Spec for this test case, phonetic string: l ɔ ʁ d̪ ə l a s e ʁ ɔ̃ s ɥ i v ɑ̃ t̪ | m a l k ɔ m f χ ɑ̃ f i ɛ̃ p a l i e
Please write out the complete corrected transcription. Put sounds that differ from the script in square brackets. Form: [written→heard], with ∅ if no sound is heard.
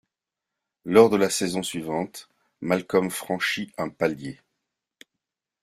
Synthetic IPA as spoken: l ɔ ʁ d̪ ə l a s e [ʁ→z] ɔ̃ s ɥ i v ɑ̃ t̪ | m a l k ɔ m f χ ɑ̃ [f→ʃ] i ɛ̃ p a l [i→j] e